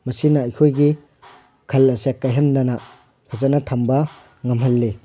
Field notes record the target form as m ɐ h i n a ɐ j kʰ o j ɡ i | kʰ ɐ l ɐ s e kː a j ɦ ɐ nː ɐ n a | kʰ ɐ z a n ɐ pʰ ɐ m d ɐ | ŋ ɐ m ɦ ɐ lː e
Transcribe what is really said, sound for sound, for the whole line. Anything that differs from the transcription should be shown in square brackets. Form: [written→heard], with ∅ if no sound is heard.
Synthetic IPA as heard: m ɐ [h→s] i n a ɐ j kʰ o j ɡ i | kʰ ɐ l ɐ s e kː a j ɦ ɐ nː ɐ n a | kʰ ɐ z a n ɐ [pʰ→tʰ] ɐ m [d→b] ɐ | ŋ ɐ m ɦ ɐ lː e